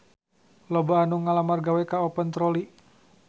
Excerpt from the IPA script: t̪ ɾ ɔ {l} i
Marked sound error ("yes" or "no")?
no